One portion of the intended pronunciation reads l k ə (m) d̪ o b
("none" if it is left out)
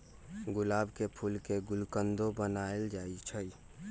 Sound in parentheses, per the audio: n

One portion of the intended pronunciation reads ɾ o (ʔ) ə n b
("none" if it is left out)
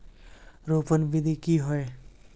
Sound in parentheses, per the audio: p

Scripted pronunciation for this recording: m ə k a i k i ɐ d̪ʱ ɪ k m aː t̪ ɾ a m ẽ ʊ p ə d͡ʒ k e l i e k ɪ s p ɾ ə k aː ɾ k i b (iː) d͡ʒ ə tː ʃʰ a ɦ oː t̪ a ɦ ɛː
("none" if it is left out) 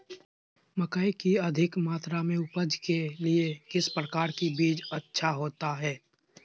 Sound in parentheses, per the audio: iː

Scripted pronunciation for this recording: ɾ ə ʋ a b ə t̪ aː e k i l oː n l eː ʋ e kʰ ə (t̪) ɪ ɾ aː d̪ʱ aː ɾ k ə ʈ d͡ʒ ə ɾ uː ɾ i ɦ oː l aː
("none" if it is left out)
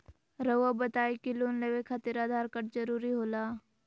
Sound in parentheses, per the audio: t̪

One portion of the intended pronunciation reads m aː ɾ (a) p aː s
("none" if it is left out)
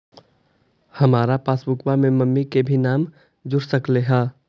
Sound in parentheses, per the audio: a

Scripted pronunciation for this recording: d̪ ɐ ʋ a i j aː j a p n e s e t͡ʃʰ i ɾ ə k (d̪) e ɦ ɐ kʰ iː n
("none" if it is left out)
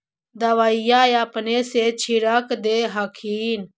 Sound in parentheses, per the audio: d̪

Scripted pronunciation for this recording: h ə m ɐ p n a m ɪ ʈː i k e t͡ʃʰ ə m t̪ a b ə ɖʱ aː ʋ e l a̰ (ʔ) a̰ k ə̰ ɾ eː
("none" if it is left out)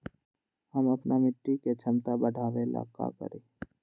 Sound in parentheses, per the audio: k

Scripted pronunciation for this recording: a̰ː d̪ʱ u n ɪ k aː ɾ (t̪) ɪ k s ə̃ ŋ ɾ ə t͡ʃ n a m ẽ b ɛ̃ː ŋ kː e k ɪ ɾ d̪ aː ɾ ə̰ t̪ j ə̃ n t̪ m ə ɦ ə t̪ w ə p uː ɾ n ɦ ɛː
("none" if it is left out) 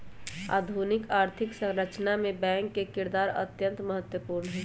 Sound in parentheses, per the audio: t̪ʰ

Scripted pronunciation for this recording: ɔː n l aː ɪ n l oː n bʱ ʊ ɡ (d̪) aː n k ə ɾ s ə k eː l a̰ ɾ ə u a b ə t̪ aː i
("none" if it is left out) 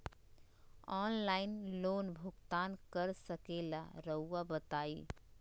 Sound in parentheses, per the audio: t̪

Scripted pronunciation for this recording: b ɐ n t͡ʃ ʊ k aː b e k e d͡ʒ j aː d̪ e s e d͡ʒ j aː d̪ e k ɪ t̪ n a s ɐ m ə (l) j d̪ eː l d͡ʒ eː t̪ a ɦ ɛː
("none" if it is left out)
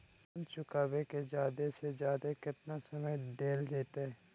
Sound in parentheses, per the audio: none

